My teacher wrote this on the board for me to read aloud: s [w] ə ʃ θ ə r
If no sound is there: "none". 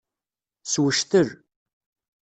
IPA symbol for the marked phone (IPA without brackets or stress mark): w